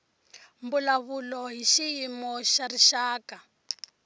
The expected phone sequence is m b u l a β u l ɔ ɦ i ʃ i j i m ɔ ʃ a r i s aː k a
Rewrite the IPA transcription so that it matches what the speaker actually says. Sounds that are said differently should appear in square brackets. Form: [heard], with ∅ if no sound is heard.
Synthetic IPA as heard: m b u l a β u l ɔ ɦ i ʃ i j i m ɔ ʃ a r i [ʃ] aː k a